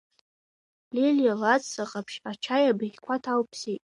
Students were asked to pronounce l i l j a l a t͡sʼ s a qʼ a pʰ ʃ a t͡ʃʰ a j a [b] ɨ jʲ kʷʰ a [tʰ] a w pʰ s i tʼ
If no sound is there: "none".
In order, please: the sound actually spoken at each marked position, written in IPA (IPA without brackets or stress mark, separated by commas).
b, tʰ